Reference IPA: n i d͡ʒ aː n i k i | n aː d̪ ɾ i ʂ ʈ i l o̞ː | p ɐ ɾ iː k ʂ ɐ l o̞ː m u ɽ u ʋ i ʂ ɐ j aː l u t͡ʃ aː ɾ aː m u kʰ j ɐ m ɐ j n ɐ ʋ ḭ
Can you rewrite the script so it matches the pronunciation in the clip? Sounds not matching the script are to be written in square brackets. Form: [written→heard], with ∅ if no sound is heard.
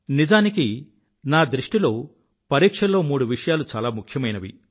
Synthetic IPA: n i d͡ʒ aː n i k i | n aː d̪ ɾ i ʂ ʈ i l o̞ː | p ɐ ɾ iː k ʂ ɐ l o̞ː m [u→uː] ɽ u ʋ i ʂ ɐ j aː l u t͡ʃ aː [ɾ→l] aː m u kʰ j ɐ m ɐ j n ɐ ʋ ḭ